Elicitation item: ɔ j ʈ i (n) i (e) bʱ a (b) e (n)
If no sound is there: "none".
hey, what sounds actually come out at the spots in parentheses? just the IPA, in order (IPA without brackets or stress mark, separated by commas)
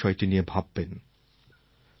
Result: n, e, bː, n